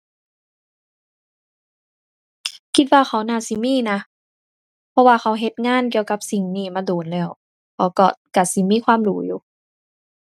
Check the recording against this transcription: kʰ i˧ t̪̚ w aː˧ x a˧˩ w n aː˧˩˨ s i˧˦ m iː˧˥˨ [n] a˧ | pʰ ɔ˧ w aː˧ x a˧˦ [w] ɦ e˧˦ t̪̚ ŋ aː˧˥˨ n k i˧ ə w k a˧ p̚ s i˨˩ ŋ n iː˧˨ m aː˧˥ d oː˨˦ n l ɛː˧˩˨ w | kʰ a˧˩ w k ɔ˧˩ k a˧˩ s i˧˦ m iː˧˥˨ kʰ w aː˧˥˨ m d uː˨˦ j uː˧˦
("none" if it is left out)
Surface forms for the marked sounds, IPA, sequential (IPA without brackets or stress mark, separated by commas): n, w